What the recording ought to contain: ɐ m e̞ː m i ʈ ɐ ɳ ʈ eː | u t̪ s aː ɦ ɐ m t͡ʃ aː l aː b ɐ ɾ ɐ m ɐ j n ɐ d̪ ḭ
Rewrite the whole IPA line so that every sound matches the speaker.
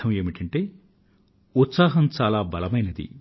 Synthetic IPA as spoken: ɐ m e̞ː m i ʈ ɐ ɳ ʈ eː | u t̪ s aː ɦ ɐ m t͡ʃ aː l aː b ɐ l ɐ m ɐ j n ɐ d̪ ḭ